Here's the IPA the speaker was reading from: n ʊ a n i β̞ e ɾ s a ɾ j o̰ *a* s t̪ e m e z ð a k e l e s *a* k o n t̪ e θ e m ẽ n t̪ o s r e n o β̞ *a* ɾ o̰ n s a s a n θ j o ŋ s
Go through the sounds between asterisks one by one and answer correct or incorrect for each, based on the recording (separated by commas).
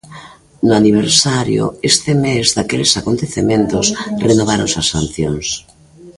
incorrect, correct, correct